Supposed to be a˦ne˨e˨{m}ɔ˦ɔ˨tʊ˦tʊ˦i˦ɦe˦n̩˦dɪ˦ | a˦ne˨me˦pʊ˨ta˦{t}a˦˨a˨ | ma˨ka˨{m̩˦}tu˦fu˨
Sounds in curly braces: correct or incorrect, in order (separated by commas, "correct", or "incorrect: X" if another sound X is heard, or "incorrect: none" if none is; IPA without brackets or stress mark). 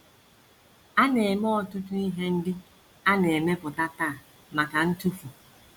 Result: correct, correct, incorrect: n̩˦